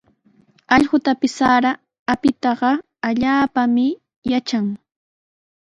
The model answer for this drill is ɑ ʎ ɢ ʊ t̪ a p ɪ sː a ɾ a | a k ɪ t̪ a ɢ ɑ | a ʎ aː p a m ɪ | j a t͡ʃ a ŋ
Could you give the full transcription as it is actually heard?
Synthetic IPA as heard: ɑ ʎ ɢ ʊ t̪ a p ɪ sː a ɾ a | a p ɪ t̪ ɑ ɢ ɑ | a ʎ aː p a m ɪ | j a t͡ʃ a ŋ